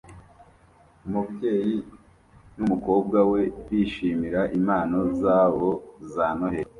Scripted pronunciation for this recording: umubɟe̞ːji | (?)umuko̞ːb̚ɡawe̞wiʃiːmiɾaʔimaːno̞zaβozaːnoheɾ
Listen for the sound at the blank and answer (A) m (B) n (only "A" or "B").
B